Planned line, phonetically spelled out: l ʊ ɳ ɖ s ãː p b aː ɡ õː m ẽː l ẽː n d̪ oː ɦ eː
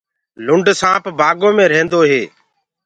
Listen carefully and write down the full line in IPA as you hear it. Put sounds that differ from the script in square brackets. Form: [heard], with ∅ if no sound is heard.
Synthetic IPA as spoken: l ʊ ɳ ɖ s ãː p b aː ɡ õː m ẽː [ɾ] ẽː n d̪ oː ɦ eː

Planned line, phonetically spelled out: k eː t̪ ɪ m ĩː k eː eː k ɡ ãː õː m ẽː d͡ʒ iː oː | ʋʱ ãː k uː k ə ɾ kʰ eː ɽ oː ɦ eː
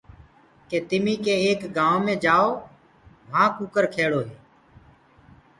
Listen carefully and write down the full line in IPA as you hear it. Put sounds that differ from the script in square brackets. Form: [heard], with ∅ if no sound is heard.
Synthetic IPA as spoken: k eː t̪ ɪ m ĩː k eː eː k ɡ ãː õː m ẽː d͡ʒ [aː] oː | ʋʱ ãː k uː k ə ɾ kʰ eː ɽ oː ɦ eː

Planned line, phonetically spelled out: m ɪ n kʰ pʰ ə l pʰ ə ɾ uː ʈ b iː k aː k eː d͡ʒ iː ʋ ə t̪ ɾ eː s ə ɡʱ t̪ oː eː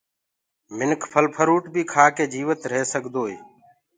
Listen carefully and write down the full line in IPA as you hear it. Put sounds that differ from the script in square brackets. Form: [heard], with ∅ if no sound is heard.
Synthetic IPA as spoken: m ɪ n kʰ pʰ ə l pʰ ə ɾ uː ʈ b iː [kʰ] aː k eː d͡ʒ iː ʋ ə t̪ ɾ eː s ə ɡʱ [d̪] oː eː

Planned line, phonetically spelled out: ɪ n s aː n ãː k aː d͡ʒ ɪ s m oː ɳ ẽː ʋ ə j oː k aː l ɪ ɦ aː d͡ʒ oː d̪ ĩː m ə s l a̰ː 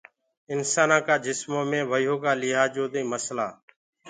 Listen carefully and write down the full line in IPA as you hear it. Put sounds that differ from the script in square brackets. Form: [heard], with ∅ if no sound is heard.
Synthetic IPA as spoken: ɪ n s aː n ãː k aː d͡ʒ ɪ s m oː [m] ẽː ʋ ə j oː k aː l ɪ ɦ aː d͡ʒ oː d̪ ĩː m ə s l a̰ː

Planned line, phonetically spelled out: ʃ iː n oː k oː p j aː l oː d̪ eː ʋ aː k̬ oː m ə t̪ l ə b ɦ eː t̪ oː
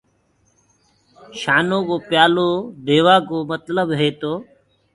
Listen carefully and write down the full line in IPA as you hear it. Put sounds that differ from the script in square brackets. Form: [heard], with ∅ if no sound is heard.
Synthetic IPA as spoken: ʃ [aː] n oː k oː p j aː l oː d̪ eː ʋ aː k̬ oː m ə t̪ l ə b ɦ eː t̪ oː

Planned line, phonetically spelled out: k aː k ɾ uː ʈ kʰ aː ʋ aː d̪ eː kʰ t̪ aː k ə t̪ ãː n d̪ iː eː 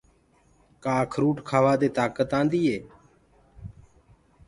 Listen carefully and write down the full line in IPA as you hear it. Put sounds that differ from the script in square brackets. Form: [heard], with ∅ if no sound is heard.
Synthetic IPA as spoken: k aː [kʰ] ɾ uː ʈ kʰ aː ʋ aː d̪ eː [∅] t̪ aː k ə t̪ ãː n d̪ iː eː

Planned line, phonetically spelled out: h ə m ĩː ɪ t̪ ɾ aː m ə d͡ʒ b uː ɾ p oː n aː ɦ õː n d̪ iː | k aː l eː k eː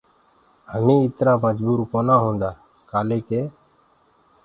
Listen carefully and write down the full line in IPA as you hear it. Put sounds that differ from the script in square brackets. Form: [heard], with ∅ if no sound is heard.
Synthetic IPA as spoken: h ə m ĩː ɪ t̪ ɾ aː m ə d͡ʒ b uː ɾ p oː n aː ɦ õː n d̪ [aː] | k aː l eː k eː

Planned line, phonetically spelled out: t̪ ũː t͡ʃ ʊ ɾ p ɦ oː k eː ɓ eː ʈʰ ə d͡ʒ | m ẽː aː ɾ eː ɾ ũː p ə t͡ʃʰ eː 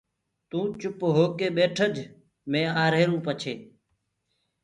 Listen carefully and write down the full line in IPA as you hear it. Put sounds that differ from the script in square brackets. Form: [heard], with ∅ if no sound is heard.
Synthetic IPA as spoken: t̪ ũː t͡ʃ ʊ [∅] p ɦ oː k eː ɓ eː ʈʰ ə d͡ʒ | m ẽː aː ɾ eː ɾ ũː p ə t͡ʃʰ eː

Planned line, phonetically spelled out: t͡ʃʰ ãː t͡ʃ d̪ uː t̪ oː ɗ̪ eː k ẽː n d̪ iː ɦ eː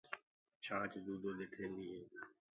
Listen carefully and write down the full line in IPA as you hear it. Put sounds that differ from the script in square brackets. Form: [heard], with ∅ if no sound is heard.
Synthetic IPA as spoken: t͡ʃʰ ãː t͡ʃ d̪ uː [d̪] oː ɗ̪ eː [kʰ] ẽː n d̪ iː ɦ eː

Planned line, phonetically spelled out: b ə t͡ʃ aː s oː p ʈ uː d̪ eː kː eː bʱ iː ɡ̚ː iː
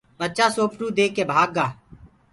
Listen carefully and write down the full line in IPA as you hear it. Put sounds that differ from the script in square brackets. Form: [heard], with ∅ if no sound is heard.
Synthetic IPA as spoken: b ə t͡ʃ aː s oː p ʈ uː d̪ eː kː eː bʱ [aː] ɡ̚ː [aː]

